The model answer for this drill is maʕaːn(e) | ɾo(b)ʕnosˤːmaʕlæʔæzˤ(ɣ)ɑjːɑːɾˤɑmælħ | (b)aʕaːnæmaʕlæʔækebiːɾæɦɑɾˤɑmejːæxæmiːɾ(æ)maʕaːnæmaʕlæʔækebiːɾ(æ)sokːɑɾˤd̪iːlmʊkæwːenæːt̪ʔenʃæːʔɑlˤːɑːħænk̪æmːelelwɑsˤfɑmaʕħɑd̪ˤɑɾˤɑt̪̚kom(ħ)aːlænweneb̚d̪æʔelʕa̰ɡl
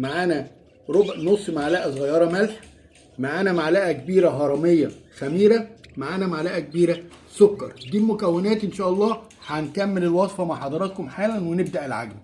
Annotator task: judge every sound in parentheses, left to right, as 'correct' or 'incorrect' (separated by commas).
incorrect, correct, correct, incorrect, correct, correct, correct